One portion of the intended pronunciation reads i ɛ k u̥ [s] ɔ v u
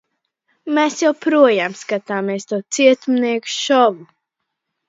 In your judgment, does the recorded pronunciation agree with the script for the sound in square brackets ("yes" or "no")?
no